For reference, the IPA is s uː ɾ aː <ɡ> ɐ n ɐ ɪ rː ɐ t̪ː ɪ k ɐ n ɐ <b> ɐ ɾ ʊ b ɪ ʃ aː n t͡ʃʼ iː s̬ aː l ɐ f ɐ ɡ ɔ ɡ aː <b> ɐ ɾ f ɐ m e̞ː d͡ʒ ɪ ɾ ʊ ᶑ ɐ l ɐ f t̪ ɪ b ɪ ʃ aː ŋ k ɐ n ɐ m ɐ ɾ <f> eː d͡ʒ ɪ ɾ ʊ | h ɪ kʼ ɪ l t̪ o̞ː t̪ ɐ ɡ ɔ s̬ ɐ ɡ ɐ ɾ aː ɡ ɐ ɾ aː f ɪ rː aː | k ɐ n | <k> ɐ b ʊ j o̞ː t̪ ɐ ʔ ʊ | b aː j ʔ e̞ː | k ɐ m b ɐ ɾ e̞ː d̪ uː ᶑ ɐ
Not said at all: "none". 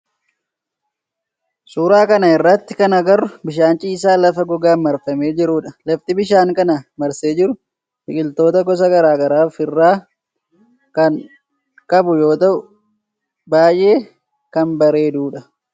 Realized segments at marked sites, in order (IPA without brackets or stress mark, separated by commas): k, ɡ, m, s, kʼ